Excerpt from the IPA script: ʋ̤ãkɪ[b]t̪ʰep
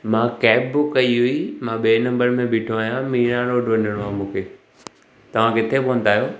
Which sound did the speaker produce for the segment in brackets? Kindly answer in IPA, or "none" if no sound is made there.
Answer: none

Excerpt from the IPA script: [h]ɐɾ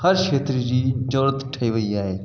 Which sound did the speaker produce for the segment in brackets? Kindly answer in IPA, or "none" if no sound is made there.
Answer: h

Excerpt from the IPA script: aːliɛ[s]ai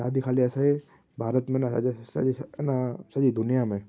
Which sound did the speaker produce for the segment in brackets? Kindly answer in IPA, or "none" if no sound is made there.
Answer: s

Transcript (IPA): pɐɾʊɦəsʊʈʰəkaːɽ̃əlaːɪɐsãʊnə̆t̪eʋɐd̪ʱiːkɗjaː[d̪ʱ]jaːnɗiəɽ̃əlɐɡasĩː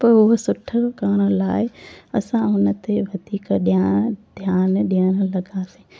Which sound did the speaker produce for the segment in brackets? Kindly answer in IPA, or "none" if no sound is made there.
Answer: d̪ʱ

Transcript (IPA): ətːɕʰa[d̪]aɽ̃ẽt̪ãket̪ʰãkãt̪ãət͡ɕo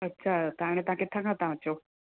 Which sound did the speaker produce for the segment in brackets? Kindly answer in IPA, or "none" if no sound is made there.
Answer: t̪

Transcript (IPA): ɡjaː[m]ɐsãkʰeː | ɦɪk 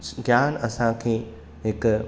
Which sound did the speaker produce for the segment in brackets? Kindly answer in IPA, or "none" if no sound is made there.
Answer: n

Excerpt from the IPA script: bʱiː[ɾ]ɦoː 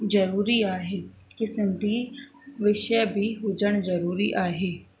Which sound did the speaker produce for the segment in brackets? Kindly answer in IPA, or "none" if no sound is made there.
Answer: none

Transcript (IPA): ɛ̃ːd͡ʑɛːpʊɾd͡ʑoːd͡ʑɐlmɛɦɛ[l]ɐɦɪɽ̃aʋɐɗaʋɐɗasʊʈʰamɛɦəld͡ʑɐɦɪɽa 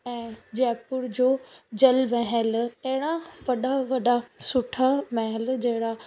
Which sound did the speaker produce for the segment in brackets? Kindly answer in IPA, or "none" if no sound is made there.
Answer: l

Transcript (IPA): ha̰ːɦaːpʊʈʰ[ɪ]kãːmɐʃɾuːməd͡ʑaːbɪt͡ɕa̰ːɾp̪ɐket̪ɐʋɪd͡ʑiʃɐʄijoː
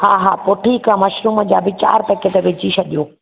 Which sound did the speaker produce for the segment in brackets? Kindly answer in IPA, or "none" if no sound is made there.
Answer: i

